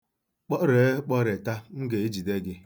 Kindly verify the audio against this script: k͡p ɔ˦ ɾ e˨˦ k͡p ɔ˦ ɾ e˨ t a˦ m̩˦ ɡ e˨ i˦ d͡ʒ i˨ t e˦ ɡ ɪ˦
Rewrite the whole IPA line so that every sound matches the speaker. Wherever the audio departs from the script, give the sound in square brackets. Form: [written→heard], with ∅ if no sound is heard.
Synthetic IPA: k͡p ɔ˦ ɾ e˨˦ k͡p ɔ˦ ɾ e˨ t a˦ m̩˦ ɡ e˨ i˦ d͡ʒ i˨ [t→d] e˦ ɡ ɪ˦